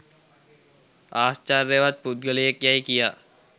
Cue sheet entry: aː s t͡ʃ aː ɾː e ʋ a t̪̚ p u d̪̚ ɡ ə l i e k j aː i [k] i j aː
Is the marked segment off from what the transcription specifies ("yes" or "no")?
no